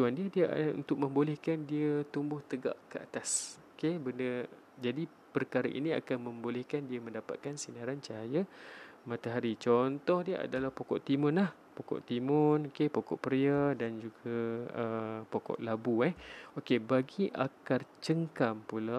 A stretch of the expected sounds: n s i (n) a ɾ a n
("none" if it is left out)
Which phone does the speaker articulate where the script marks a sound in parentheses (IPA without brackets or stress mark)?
n